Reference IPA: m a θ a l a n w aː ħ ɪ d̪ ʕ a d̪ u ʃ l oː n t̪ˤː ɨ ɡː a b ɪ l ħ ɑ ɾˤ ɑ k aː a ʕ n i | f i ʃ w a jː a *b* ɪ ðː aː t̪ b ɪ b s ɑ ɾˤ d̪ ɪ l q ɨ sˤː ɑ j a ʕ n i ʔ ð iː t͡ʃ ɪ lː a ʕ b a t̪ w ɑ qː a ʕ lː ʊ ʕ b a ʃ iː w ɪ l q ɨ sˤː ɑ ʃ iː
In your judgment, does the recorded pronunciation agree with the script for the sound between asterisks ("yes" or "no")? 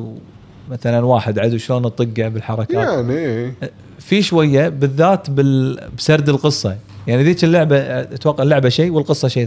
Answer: yes